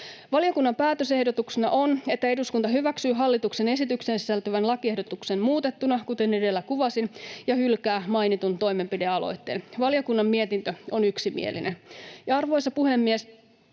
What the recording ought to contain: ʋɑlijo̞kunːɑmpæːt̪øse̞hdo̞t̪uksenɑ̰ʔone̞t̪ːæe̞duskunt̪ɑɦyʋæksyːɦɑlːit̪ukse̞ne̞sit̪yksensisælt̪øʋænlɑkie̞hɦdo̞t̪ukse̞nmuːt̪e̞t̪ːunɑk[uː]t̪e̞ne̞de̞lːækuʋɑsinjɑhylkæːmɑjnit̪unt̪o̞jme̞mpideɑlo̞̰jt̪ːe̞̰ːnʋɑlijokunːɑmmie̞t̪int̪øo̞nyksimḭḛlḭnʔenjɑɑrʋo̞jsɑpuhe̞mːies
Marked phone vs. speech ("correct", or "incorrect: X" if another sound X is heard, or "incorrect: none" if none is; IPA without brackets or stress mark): incorrect: u